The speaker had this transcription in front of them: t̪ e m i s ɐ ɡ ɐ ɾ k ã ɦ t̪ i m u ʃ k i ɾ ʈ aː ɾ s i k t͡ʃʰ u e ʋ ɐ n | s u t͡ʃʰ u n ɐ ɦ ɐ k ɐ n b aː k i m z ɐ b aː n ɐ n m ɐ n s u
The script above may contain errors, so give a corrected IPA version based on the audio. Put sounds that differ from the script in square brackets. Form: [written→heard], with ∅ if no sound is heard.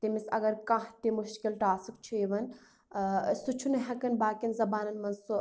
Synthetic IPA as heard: t̪ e m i s ɐ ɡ ɐ ɾ k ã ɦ t̪ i m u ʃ k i [ɾ→l] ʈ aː [ɾ→∅] s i k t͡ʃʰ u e ʋ ɐ n | s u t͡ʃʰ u n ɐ ɦ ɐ k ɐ n b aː k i [m→n] z ɐ b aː n ɐ n m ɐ n s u